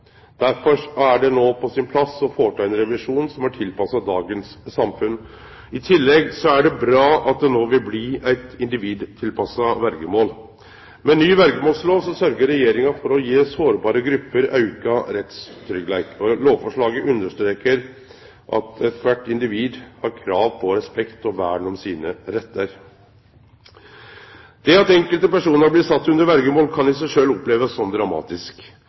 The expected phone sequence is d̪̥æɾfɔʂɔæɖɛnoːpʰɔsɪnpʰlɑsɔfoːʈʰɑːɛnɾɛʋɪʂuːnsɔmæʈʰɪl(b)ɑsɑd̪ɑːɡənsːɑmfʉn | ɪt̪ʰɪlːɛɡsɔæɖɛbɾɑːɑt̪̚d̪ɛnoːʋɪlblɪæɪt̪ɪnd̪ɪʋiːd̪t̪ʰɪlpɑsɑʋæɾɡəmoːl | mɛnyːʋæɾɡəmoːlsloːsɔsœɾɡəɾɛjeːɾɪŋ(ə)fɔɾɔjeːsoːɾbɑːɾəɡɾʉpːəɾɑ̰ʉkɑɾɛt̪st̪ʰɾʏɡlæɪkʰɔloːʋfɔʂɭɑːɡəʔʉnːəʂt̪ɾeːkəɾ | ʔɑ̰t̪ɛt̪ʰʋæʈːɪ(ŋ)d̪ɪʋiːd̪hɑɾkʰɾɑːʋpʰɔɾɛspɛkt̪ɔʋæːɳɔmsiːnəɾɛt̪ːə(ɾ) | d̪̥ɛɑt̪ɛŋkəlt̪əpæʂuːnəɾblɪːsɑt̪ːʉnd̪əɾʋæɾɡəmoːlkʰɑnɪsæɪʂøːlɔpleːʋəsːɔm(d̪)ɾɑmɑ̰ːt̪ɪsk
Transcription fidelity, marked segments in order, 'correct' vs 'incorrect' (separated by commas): incorrect, incorrect, incorrect, correct, correct